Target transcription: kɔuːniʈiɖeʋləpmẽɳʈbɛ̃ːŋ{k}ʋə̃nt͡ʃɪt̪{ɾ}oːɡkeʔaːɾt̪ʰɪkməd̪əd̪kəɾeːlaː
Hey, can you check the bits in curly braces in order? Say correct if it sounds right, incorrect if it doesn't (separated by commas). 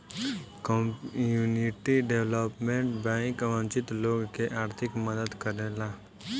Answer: correct, incorrect